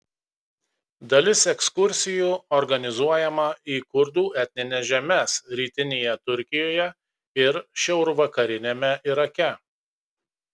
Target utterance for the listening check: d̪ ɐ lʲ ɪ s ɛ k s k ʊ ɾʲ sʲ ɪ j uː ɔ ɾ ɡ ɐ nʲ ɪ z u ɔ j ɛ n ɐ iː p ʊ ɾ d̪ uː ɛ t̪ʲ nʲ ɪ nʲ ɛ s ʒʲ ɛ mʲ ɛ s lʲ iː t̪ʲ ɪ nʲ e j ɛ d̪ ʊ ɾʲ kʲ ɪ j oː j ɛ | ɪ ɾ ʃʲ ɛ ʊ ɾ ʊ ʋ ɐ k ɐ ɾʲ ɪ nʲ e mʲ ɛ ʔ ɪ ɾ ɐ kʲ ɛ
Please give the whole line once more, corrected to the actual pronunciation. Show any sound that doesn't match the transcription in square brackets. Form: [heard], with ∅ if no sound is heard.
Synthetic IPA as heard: d̪ ɐ lʲ ɪ s ɛ k s k ʊ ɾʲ sʲ ɪ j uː ɔ ɾ ɡ ɐ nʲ ɪ z u ɔ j ɛ [m] ɐ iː [k] ʊ ɾ d̪ uː ɛ t̪ʲ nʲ ɪ nʲ ɛ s ʒʲ ɛ mʲ ɛ s [ɾʲ] iː t̪ʲ ɪ nʲ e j ɛ [t̪] ʊ ɾʲ kʲ ɪ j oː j ɛ | ɪ ɾ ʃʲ ɛ ʊ ɾ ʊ ʋ ɐ k ɐ ɾʲ ɪ nʲ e mʲ ɛ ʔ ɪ ɾ ɐ kʲ ɛ